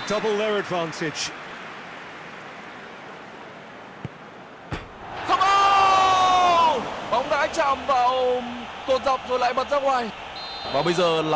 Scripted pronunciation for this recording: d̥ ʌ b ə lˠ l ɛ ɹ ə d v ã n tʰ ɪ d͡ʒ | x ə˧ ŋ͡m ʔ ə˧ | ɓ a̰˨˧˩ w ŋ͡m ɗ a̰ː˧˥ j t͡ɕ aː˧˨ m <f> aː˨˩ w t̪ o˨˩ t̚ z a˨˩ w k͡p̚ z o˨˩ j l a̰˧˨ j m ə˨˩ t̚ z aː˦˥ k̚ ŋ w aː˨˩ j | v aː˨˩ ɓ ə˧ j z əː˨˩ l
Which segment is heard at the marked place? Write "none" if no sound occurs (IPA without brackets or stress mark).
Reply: v